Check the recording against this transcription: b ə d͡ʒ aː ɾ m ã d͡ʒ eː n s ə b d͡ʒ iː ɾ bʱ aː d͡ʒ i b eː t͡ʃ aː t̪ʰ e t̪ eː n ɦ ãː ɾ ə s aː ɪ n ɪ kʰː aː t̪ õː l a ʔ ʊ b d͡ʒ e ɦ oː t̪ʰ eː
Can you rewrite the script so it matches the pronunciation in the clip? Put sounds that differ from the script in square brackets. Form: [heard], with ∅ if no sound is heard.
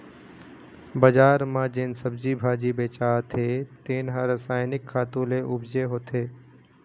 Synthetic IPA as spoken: b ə d͡ʒ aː ɾ m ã d͡ʒ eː n s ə b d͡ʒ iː [∅] bʱ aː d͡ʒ i b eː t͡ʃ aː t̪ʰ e t̪ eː n ɦ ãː ɾ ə s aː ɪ n ɪ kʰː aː t̪ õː l [e] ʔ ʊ b d͡ʒ e ɦ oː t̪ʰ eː

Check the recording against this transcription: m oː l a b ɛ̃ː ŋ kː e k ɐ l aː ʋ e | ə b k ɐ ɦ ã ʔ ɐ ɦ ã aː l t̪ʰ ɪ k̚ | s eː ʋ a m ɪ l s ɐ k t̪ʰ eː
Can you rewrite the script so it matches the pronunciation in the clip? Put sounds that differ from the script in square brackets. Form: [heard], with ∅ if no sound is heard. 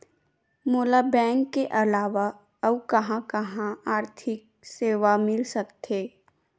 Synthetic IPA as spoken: m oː l a b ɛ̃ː ŋ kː e [ʔ] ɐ l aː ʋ [a] | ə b k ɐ ɦ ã [k] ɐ ɦ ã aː [ɾ] t̪ʰ ɪ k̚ | s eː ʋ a m ɪ l s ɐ k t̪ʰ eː

